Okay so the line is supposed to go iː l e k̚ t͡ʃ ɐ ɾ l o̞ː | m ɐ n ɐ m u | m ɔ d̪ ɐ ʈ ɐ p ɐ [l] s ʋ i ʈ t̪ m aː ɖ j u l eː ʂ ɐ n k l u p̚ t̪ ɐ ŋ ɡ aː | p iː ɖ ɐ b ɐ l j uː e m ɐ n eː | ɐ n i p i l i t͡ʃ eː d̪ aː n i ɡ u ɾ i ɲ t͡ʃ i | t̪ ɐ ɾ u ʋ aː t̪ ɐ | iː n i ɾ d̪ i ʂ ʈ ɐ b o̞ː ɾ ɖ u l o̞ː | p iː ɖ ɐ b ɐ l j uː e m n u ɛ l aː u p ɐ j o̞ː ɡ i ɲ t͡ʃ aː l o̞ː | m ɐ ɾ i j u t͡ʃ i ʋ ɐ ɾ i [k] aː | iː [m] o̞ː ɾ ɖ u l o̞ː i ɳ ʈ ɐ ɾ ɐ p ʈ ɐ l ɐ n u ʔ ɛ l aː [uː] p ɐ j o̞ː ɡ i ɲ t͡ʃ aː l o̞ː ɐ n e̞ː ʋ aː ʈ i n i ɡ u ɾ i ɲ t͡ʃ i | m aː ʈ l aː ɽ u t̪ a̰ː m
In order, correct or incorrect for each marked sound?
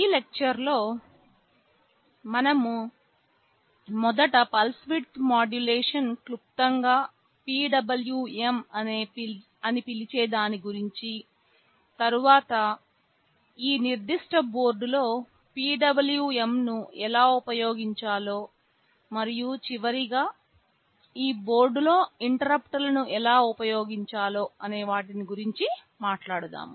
correct, incorrect: ɡ, incorrect: b, incorrect: u

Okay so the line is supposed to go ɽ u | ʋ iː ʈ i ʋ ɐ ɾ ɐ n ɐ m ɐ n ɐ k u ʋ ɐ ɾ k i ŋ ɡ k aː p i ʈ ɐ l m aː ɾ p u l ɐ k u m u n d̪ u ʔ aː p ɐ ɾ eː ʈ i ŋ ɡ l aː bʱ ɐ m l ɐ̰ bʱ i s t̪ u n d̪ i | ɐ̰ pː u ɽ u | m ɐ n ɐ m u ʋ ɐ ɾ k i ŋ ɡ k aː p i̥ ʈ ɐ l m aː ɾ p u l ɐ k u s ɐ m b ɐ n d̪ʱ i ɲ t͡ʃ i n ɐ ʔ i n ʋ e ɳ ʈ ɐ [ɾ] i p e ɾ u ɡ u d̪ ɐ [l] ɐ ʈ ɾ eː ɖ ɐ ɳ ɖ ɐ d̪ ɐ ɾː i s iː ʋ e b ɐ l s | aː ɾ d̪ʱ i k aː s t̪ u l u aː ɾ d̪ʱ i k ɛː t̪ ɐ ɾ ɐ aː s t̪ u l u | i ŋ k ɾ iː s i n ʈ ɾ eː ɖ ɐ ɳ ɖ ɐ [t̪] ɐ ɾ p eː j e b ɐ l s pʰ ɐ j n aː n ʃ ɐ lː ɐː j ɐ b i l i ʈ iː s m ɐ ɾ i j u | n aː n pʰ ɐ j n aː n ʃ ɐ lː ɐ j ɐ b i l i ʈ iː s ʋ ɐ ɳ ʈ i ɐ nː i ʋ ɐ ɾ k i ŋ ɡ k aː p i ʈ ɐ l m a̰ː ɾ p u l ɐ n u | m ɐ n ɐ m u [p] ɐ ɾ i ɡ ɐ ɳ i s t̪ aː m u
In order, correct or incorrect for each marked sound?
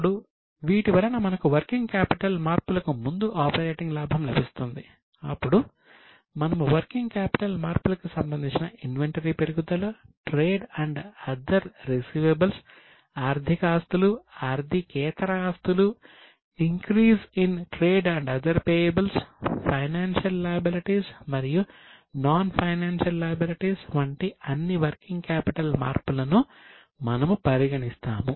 correct, correct, incorrect: d̪, correct

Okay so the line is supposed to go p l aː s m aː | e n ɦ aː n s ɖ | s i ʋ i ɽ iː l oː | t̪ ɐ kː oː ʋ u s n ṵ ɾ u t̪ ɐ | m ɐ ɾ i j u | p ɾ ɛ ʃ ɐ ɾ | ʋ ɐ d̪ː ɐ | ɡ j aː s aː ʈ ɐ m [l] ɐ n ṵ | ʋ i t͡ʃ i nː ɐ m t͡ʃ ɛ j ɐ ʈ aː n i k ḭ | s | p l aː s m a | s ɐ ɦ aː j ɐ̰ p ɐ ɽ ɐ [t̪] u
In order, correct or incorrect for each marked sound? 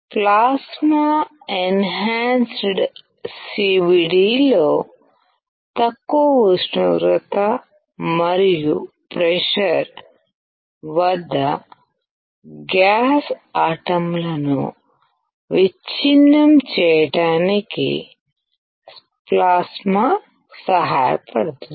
correct, correct

